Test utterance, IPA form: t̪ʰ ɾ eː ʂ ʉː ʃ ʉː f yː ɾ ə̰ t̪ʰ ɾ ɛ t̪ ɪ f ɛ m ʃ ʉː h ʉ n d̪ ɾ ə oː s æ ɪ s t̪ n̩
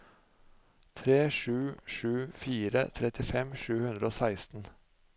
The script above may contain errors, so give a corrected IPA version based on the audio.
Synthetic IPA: t̪ʰ ɾ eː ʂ ʉː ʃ ʉː f iː ɾ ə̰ t̪ʰ ɾ ɛ t̪ ɪ f ɛ m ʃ ʉː h ʉ n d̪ ɾ ə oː s æ ɪ s t̪ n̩